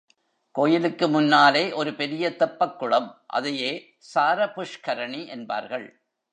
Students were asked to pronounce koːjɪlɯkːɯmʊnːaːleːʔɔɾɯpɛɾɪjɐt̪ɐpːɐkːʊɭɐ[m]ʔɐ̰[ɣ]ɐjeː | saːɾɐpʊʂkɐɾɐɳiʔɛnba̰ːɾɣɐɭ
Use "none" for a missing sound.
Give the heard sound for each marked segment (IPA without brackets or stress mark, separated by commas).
m, ð